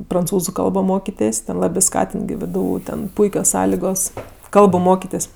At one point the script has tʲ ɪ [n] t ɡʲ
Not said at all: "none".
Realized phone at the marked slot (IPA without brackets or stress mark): n